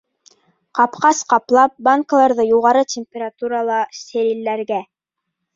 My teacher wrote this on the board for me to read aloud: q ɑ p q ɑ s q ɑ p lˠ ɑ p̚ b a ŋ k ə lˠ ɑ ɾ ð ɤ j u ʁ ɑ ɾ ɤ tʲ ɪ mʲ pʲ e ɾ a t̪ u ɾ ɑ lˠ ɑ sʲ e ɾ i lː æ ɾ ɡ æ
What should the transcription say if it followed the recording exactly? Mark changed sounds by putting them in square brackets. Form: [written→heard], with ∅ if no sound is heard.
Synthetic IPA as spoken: q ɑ p q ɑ s q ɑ p lˠ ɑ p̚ b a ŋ k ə lˠ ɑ ɾ ð ɤ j u ʁ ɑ ɾ ɤ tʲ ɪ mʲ pʲ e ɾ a t̪ u ɾ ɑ lˠ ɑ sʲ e ɾ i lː æ ɾ ɡ æ